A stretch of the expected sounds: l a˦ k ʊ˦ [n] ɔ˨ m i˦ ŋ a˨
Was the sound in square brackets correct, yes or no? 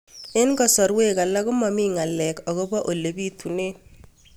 no